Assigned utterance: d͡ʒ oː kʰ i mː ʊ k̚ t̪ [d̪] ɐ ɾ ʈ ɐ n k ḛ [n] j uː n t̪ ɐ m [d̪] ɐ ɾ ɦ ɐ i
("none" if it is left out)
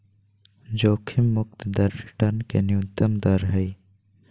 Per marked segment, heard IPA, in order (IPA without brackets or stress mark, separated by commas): d̪, n, d̪